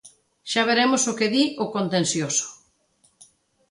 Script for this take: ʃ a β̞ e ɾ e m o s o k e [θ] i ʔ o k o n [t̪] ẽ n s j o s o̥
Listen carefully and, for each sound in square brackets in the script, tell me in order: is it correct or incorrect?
incorrect, correct

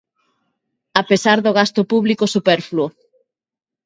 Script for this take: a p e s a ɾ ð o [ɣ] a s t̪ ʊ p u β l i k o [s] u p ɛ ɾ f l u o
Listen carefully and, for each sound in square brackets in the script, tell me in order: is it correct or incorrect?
correct, correct

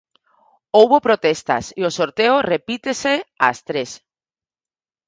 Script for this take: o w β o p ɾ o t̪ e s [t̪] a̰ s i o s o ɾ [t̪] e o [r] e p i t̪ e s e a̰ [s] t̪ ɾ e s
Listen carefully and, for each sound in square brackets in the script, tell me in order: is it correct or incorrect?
correct, correct, correct, correct

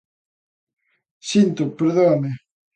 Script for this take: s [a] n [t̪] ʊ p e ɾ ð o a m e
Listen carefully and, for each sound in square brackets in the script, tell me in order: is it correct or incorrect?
incorrect, correct

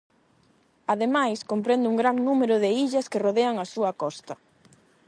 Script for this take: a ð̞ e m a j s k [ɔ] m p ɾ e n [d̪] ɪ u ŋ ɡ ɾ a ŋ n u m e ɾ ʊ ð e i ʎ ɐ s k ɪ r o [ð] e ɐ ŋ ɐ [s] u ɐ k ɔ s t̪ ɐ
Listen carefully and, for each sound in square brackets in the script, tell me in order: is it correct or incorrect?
incorrect, correct, correct, correct

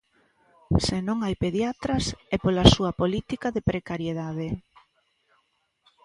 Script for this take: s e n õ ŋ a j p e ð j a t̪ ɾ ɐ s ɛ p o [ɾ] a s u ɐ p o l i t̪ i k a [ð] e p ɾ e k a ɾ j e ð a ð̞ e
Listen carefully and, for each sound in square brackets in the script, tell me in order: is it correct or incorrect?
incorrect, correct

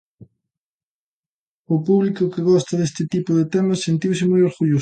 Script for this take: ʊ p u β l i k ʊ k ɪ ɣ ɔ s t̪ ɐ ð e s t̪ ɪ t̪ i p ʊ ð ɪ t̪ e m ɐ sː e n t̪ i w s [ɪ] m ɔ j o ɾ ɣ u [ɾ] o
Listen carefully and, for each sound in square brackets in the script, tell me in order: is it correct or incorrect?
correct, incorrect

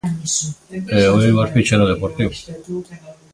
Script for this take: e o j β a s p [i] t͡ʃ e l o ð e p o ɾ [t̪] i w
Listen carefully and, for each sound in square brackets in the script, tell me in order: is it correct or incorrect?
correct, correct

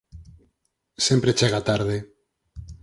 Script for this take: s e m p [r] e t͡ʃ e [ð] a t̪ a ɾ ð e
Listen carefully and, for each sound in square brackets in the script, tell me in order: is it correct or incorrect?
incorrect, incorrect

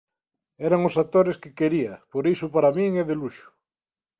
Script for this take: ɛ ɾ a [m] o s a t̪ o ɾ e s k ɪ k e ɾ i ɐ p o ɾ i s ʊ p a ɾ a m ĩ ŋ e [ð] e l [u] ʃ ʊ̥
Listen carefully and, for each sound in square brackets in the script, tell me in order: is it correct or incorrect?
incorrect, correct, correct

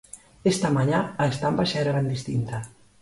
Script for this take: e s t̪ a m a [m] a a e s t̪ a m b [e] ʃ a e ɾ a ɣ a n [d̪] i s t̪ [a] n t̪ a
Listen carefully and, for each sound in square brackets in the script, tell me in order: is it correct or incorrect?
incorrect, incorrect, correct, incorrect

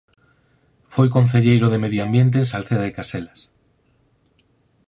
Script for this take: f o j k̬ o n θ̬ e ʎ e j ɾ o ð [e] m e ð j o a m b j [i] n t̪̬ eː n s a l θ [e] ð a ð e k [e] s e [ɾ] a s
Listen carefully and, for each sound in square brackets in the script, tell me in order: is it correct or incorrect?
correct, incorrect, correct, incorrect, incorrect

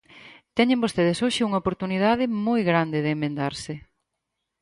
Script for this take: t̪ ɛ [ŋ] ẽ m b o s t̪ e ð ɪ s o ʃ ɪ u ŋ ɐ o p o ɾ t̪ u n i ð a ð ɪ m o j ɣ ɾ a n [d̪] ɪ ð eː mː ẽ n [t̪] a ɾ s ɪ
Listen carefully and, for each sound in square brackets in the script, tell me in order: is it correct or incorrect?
incorrect, correct, incorrect

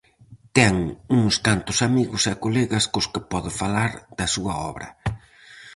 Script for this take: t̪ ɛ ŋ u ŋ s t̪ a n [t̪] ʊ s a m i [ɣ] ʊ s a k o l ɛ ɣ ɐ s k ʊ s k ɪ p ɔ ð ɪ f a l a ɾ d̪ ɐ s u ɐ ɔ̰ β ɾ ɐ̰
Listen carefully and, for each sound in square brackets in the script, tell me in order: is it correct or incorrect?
correct, correct

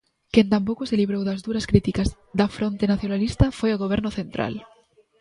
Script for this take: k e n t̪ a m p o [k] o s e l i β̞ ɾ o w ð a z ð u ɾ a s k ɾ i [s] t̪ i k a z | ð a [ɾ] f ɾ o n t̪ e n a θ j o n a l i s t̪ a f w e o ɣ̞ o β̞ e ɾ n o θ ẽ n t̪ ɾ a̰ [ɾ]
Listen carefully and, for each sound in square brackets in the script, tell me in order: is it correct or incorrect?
correct, incorrect, incorrect, incorrect

